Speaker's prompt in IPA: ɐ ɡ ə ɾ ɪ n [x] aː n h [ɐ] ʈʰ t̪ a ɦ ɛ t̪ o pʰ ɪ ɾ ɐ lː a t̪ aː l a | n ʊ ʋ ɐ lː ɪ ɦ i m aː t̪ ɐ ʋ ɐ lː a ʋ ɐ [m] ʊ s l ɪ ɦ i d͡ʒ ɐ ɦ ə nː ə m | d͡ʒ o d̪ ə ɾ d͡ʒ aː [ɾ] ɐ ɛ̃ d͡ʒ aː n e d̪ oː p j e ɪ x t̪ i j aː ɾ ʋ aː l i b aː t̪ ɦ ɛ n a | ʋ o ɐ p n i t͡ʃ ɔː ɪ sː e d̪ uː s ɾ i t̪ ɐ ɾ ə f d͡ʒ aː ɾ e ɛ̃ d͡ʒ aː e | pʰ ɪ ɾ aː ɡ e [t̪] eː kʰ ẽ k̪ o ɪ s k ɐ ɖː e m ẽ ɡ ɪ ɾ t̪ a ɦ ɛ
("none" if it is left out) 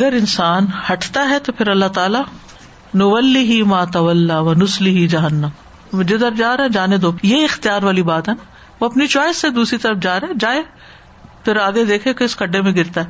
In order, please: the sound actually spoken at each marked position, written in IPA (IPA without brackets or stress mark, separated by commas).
s, ɐ, n, ɾ, d̪